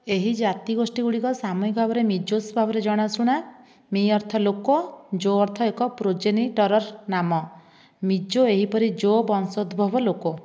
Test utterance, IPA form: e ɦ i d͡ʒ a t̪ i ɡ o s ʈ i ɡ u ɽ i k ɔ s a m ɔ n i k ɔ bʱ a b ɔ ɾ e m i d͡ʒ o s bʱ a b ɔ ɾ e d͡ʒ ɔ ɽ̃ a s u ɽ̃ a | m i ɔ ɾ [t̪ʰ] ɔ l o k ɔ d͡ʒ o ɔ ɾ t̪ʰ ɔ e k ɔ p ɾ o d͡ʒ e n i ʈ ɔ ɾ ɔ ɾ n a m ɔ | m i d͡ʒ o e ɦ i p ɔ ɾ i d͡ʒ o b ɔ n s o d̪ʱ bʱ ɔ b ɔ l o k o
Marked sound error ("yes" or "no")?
no